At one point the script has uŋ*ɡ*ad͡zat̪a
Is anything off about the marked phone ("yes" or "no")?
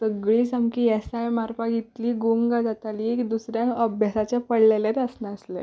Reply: no